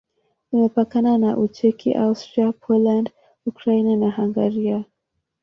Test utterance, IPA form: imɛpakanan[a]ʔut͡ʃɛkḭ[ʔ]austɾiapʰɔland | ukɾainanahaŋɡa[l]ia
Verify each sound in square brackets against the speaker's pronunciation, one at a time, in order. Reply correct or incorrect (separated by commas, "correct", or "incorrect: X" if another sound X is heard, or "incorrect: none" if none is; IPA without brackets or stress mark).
correct, correct, incorrect: ɾ